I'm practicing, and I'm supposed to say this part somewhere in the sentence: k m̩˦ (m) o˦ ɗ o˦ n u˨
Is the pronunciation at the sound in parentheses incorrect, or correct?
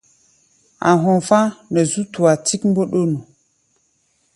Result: incorrect: b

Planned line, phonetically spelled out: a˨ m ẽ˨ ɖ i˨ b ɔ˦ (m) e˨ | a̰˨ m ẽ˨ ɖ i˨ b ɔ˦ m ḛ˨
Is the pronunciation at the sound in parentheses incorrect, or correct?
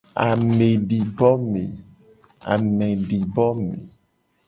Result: correct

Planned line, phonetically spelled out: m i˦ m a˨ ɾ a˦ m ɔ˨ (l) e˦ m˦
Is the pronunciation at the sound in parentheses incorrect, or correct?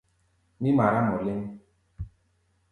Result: correct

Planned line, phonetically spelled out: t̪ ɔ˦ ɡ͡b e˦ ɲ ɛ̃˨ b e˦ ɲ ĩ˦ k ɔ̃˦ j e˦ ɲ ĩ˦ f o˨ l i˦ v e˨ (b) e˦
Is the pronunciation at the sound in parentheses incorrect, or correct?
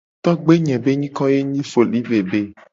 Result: correct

